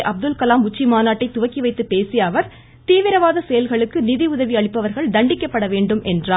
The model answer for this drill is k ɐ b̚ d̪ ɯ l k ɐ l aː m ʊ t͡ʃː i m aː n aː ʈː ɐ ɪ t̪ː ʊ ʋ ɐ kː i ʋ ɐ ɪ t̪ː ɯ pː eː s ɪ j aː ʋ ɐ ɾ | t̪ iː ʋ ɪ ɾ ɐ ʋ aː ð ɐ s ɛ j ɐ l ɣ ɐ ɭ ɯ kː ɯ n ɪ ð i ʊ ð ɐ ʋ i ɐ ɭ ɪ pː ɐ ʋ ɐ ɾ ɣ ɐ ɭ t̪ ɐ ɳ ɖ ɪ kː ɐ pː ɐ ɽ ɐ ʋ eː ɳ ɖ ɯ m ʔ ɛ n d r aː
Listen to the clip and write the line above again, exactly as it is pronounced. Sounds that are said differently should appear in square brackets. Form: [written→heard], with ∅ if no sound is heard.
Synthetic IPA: [k→ʔ] ɐ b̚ d̪ ɯ l k ɐ l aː m ʊ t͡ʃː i m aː n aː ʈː ɐ ɪ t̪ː ʊ ʋ ɐ kː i ʋ ɐ ɪ t̪ː ɯ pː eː s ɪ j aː ʋ ɐ ɾ | t̪ iː ʋ ɪ ɾ ɐ ʋ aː ð ɐ s ɛ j ɐ l ɣ ɐ ɭ ɯ kː ɯ n ɪ ð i ʊ ð ɐ ʋ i ɐ ɭ ɪ pː ɐ ʋ ɐ ɾ ɣ ɐ ɭ [t̪→d̪] ɐ ɳ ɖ ɪ kː ɐ pː ɐ ɽ ɐ ʋ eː ɳ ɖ ɯ m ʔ ɛ n d r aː